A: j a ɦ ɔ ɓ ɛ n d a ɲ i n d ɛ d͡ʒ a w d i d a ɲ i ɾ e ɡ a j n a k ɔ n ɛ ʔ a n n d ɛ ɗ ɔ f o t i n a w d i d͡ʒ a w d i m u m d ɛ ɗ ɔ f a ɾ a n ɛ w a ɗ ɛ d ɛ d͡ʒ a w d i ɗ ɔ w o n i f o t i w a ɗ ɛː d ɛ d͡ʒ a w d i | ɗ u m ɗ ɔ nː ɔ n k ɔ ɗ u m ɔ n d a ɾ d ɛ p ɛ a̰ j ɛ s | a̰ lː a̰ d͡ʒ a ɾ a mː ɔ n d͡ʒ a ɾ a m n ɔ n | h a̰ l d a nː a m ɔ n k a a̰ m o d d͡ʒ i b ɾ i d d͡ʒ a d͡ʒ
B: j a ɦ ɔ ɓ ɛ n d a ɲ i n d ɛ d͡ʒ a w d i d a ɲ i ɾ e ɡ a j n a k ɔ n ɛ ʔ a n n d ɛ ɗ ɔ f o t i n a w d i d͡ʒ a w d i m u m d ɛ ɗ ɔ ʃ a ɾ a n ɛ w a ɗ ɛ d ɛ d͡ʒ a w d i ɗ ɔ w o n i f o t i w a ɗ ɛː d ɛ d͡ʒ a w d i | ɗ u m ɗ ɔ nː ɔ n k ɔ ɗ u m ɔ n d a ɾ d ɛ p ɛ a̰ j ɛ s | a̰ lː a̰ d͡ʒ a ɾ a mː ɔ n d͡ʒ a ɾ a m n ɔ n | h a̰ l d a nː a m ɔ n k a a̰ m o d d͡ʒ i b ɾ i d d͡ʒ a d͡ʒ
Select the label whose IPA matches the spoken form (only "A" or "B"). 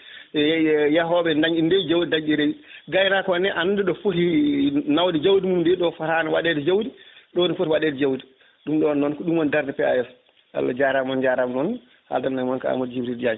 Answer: A